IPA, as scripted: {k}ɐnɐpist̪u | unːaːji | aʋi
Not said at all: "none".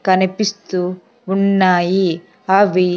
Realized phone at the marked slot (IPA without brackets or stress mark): k